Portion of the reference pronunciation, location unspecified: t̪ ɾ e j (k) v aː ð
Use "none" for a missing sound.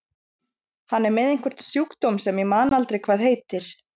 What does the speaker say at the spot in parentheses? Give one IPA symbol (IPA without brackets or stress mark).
kʰ